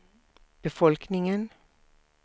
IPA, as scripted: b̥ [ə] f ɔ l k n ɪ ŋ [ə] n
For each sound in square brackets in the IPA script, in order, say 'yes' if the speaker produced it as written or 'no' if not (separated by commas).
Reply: yes, yes